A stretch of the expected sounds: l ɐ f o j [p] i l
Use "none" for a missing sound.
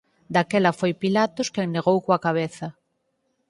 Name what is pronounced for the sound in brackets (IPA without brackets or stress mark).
p